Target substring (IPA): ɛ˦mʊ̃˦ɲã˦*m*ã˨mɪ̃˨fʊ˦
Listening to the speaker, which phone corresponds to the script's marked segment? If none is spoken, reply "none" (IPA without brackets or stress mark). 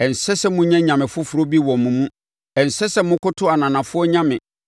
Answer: ɲ